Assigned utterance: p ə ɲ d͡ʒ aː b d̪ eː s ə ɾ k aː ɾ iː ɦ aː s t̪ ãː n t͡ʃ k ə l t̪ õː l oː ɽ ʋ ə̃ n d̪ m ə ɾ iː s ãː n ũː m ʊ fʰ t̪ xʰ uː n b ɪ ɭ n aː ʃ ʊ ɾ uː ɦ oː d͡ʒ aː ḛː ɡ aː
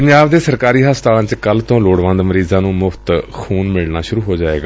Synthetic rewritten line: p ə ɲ d͡ʒ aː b d̪ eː s ə ɾ k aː ɾ iː ɦ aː s t̪ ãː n t͡ʃ k ə l t̪ õː l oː ɽ ʋ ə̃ n d̪ m ə ɾ iː z ãː n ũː m ʊ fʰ t̪ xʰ uː n m ɪ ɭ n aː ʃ ʊ ɾ uː ɦ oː d͡ʒ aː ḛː ɡ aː